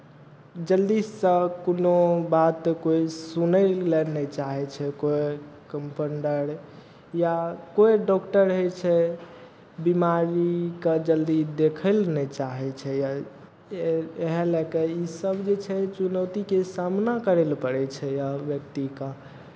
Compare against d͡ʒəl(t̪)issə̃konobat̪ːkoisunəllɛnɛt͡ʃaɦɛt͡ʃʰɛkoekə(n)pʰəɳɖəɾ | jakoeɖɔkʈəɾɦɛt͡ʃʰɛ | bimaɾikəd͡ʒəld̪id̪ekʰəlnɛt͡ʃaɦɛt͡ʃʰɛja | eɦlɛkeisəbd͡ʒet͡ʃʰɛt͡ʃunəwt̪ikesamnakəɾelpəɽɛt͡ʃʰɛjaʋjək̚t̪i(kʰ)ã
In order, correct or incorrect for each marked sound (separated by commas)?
incorrect, incorrect, incorrect